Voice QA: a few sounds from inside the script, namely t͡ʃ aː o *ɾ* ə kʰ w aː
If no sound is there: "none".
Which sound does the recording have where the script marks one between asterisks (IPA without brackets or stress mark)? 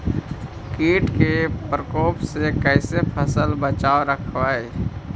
ɾ